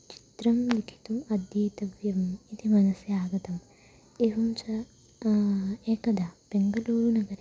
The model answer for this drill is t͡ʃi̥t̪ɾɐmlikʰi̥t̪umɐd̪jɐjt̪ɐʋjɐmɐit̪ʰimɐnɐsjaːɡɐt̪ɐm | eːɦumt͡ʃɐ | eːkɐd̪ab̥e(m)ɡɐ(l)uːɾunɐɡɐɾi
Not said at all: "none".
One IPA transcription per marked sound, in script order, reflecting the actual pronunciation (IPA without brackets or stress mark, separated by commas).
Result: ŋ, l